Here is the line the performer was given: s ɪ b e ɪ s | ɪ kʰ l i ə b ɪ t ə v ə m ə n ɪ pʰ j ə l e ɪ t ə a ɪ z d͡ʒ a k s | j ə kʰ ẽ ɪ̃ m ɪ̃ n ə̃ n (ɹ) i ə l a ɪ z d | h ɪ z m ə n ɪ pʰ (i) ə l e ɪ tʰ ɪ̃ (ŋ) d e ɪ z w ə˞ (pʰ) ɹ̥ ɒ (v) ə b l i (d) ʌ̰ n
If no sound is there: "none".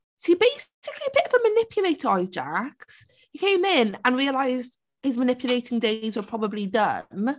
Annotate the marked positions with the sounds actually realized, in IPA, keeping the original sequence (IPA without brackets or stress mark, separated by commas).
ɹ, j, ŋ, pʰ, b, d